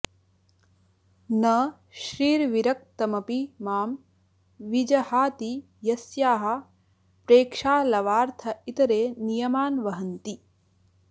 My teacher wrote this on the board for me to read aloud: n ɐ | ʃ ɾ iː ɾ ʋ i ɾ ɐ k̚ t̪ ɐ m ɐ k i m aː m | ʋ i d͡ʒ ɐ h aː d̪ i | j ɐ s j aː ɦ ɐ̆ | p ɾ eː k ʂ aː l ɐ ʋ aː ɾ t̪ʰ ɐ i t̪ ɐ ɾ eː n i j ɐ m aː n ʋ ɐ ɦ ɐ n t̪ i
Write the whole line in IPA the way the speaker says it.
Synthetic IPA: n ɐ | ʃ ɾ iː ɾ ʋ i ɾ ɐ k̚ t̪ ɐ m ɐ p i m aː m | ʋ i d͡ʒ ɐ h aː t̪ i | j ɐ s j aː ɦ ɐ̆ | p ɾ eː k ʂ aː l ɐ ʋ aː ɾ t̪ʰ ɐ i t̪ ɐ ɾ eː n i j ɐ m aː n ʋ ɐ ɦ ɐ n t̪ i